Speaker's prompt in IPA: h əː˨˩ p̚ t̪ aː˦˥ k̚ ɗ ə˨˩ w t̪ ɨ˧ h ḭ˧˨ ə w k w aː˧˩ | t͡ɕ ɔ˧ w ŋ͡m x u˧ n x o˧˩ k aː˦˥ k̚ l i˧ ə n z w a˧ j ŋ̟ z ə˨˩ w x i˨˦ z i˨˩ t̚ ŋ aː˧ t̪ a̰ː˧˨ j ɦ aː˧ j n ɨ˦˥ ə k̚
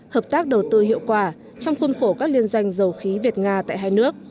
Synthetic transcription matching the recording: h əː˨˩ p̚ t̪ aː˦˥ k̚ ɗ ə˨˩ w t̪ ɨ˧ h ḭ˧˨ ə w k w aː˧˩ | t͡ɕ ɔ˧ w ŋ͡m x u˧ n x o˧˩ k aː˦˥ k̚ l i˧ ə n z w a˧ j ŋ̟ z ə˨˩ w x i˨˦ v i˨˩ t̚ ŋ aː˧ t̪ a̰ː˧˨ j ɦ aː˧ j n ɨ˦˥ ə k̚